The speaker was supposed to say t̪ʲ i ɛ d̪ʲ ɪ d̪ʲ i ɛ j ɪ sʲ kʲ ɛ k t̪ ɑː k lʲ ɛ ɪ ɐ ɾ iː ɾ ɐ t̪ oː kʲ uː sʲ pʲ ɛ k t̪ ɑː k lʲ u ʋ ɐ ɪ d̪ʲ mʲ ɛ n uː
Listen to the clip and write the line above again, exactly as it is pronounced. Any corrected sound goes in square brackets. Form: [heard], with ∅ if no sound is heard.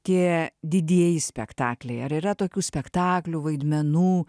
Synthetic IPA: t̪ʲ i ɛ d̪ʲ ɪ d̪ʲ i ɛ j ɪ sʲ [pʲ] ɛ k t̪ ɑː k lʲ ɛ ɪ ɐ ɾ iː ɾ ɐ t̪ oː kʲ uː sʲ pʲ ɛ k t̪ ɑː k lʲ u ʋ ɐ ɪ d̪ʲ mʲ ɛ n uː

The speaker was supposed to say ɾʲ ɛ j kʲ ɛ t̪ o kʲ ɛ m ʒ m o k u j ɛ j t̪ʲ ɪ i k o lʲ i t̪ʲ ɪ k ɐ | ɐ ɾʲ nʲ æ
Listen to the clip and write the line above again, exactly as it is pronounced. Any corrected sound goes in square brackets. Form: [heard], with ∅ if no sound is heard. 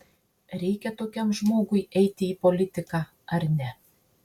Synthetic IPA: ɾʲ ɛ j kʲ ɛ t̪ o kʲ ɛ m ʒ m o [ɡ] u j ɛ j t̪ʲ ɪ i [p] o lʲ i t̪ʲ ɪ k [ɑ] | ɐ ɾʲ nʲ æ

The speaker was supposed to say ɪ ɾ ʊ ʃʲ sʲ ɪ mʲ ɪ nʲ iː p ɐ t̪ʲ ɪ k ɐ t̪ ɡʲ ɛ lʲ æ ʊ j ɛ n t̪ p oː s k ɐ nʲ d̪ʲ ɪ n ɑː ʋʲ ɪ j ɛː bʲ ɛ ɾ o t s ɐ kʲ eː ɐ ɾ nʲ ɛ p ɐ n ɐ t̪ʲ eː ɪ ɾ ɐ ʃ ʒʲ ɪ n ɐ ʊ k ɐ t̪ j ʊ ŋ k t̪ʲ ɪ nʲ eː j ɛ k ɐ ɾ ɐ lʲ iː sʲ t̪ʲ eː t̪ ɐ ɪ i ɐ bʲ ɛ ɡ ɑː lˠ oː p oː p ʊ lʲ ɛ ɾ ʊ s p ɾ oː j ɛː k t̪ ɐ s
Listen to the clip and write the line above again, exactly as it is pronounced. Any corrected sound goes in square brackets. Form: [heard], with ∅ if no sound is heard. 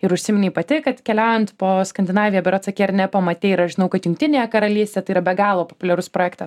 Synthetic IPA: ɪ ɾ ʊ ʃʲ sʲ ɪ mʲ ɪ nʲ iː p ɐ t̪ʲ ɪ k ɐ t̪ [kʲ] ɛ lʲ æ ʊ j ɛ n t̪ p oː s k ɐ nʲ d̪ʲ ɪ n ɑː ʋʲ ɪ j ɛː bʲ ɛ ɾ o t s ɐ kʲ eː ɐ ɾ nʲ ɛ p ɐ [m] ɐ t̪ʲ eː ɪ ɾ ɐ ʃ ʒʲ ɪ n ɐ ʊ k ɐ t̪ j ʊ ŋ k t̪ʲ ɪ nʲ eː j ɛ k ɐ ɾ ɐ lʲ iː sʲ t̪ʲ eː t̪ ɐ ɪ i ɐ bʲ ɛ ɡ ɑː lˠ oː p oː p ʊ lʲ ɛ ɾ ʊ s p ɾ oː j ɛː k t̪ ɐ s

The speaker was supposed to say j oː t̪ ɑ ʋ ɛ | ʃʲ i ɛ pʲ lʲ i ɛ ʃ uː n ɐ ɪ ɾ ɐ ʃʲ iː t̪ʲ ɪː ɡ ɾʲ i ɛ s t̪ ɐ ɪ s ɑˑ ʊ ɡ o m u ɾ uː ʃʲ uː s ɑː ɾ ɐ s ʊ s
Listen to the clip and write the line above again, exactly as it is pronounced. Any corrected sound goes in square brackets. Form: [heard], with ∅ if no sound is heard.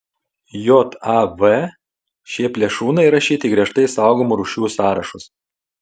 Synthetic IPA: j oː t̪ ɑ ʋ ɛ | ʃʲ i ɛ pʲ lʲ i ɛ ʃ uː n ɐ ɪ ɾ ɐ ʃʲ iː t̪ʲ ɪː ɡ ɾʲ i ɛ [ʃ] t̪ ɐ ɪ s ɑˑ ʊ ɡ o m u ɾ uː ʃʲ uː s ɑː ɾ ɐ [ʃ] ʊ s

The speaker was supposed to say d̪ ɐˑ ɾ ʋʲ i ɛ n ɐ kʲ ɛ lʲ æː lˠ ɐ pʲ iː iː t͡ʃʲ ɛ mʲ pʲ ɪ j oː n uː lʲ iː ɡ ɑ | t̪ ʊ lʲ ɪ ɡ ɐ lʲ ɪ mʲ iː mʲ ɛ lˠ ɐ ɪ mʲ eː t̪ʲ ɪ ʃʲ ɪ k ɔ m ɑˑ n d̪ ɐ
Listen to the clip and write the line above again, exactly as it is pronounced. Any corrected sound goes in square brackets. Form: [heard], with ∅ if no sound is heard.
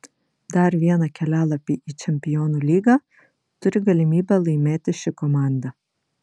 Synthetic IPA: d̪ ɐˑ ɾ ʋʲ i ɛ n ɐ kʲ ɛ lʲ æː lˠ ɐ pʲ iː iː t͡ʃʲ ɛ mʲ pʲ ɪ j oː n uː lʲ iː ɡ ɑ | t̪ ʊ [ɾʲ] ɪ ɡ ɐ lʲ ɪ mʲ iː [bʲ] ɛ lˠ ɐ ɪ mʲ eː t̪ʲ ɪ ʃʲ ɪ k ɔ m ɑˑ n d̪ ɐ

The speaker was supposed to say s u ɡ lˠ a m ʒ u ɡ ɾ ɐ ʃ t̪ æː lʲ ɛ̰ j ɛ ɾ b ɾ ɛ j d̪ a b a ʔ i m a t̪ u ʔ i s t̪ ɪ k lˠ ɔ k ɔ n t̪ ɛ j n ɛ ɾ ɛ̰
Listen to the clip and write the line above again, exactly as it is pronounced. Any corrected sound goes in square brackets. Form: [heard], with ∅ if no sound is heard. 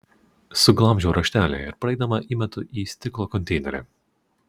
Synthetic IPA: s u ɡ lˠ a m ʒ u [∅] ɾ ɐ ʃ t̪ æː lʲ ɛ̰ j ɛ ɾ [p] ɾ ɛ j d̪ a [m] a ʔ i m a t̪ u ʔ i s t̪ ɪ k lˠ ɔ k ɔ n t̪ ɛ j n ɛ ɾ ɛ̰

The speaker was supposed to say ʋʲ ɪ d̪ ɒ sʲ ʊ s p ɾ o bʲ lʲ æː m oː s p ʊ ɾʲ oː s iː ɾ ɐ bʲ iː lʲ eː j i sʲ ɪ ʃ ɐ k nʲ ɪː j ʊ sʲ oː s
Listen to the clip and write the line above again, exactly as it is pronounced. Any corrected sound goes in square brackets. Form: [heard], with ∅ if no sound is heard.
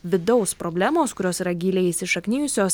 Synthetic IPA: ʋʲ ɪ d̪ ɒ [∅] ʊ s p ɾ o bʲ lʲ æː m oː s [k] ʊ ɾʲ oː s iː ɾ ɐ [ɡʲ] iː lʲ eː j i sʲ ɪ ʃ ɐ k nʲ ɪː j ʊ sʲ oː s

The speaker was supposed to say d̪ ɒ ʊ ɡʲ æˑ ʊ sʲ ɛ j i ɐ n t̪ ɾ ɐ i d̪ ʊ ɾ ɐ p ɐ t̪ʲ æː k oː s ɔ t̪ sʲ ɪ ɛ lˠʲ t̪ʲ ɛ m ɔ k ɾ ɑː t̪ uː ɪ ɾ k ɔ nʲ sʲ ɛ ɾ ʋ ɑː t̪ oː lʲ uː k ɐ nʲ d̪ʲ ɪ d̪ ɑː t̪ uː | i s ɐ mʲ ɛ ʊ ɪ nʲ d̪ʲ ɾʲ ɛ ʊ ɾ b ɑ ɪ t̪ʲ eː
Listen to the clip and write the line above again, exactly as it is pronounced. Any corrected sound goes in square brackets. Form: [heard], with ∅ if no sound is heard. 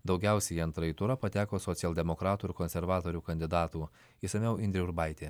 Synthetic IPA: d̪ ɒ ʊ ɡʲ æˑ ʊ sʲ ɛ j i ɐ n t̪ ɾ ɐ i [t̪] ʊ ɾ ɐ p ɐ t̪ʲ æː k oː s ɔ t̪ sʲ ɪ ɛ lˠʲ [d̪ʲ] ɛ m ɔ k ɾ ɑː t̪ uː ɪ ɾ k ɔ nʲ sʲ ɛ ɾ ʋ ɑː t̪ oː [ɾʲ] uː k ɐ nʲ d̪ʲ ɪ d̪ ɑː t̪ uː | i s ɐ mʲ ɛ ʊ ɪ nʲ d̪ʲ ɾʲ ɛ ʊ ɾ b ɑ ɪ t̪ʲ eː

